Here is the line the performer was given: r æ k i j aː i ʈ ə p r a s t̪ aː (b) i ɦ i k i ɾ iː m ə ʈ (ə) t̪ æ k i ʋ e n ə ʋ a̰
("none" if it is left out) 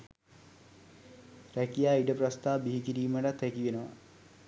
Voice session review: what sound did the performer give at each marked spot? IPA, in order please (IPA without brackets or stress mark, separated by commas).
b, a